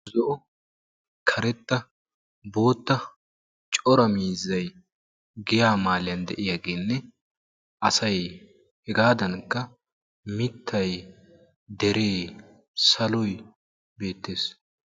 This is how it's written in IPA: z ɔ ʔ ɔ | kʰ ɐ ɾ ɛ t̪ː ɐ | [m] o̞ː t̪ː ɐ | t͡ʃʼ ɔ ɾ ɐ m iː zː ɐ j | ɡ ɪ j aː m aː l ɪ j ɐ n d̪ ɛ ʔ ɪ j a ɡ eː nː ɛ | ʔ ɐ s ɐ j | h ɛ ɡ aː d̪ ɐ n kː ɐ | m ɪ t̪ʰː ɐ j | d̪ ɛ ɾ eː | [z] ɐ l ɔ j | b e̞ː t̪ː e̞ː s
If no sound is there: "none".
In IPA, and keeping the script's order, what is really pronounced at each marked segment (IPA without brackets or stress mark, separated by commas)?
b, s